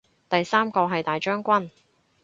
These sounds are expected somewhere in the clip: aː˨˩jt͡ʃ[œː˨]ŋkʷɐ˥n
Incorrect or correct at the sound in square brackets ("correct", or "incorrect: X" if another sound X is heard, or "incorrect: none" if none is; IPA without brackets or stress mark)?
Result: incorrect: œː˥